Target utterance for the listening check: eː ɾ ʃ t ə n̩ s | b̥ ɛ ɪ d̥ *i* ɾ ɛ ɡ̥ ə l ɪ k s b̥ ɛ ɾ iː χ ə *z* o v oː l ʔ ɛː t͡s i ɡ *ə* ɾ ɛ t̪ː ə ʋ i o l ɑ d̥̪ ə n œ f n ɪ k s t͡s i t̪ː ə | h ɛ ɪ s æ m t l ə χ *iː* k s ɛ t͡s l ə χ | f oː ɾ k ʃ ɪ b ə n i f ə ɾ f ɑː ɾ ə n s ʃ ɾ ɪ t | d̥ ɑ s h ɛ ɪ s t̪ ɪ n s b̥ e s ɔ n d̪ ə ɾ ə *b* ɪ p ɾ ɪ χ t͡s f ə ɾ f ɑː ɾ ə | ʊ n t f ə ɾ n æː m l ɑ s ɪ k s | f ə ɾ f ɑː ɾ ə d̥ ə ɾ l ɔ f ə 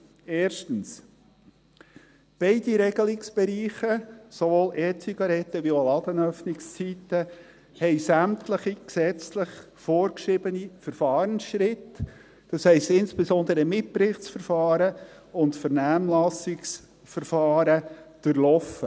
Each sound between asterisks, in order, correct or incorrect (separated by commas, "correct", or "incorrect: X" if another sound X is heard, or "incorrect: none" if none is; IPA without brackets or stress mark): correct, incorrect: s, incorrect: ɑ, incorrect: i, incorrect: m